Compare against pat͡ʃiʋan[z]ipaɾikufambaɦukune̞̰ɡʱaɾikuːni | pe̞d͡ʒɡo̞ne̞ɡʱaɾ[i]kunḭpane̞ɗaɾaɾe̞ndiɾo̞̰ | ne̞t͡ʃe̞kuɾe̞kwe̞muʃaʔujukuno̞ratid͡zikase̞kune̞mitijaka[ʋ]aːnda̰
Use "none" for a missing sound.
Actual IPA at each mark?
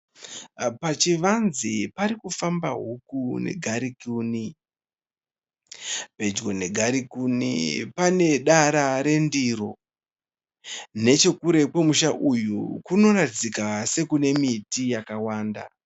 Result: z, i, w

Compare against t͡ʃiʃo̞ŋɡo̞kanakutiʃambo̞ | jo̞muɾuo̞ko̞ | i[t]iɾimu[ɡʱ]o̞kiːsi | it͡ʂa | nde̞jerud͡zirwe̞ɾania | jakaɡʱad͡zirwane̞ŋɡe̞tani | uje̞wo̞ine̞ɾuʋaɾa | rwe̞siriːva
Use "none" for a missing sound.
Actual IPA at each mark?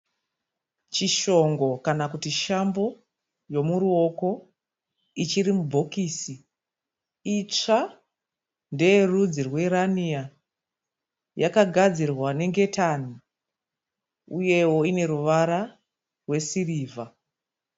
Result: t͡ʃ, bʱ

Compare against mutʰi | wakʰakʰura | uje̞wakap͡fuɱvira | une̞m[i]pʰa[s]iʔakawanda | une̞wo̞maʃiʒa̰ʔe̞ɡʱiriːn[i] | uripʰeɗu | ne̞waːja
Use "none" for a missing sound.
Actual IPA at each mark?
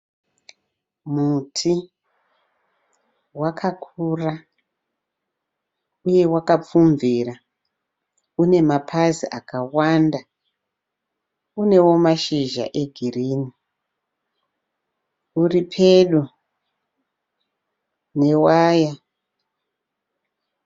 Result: a, z, i

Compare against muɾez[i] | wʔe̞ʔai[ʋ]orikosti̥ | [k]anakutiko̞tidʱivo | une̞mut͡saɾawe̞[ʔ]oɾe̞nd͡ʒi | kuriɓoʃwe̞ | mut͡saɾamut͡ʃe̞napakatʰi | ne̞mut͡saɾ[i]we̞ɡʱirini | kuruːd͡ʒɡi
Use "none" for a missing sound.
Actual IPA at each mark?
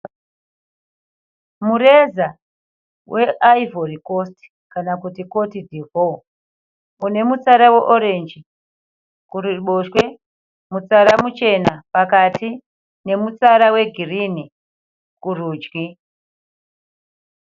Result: a, v, k, ʔ, a

